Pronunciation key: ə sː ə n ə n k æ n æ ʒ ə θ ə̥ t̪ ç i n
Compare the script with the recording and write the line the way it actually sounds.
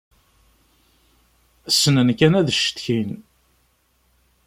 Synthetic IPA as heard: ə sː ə n ə n k æ n æ ð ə ʃ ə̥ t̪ ç i n

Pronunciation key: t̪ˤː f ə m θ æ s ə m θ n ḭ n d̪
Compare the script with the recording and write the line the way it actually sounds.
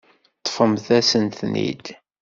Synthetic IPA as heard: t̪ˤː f ə m θ æ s ə n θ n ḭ d̪

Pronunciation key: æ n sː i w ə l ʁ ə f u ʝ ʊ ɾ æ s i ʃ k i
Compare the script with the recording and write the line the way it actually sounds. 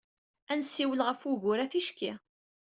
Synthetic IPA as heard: æ n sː i w ə l ʁ ə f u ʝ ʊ ɾ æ θ i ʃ k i

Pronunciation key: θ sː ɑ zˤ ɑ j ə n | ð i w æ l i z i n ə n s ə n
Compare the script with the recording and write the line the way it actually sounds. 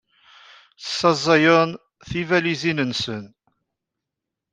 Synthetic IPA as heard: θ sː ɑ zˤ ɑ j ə n | θ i v æ l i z i n ə n s ə n

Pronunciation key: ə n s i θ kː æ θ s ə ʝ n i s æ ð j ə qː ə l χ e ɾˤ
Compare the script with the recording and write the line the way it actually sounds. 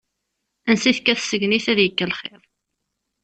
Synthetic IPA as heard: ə n s i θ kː æ θ s ə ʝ n i θ æ ð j ə kː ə l χ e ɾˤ

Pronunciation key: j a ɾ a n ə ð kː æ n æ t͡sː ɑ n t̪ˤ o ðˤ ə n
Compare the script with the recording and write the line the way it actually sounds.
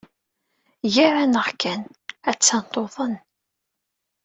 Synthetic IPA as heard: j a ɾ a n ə ʁ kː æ n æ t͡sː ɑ n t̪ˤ o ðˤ ə n

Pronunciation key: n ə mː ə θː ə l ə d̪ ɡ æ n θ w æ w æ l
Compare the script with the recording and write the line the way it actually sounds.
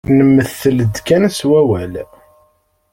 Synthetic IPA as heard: n ə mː ə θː ə l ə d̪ k æ n s w æ w æ l

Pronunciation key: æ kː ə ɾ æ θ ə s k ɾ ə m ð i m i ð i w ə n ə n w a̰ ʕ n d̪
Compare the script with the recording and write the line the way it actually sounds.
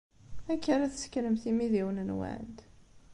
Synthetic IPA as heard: æ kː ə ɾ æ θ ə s k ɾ ə m θ i m i ð i w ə n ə n w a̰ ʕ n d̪

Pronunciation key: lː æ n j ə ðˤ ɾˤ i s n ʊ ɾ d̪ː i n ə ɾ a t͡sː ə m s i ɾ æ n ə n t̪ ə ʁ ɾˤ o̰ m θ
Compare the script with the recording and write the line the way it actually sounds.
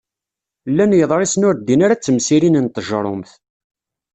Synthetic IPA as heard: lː æ n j ə ðˤ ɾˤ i s n ʊ ɾ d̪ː i n a ɾ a t͡sː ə m s i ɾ i n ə n t̪ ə ʒ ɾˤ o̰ m θ

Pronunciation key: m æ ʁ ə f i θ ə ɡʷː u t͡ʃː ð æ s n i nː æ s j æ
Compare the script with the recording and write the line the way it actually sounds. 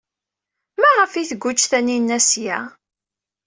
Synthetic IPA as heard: m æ ʁ ə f i θ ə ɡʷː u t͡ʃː θ æ n i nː æ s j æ

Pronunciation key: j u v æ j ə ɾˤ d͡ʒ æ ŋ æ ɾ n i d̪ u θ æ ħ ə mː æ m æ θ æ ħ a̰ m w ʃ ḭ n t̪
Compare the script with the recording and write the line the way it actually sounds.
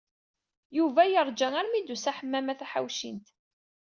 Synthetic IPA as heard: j u v æ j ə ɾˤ d͡ʒ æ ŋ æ ɾ m i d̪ u s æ ħ ə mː æ m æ θ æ ħ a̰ w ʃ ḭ n t̪

